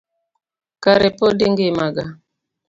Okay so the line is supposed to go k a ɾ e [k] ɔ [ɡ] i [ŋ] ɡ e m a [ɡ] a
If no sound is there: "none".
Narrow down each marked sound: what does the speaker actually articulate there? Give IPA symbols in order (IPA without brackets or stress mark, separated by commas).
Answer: p, d, ŋ, ɡ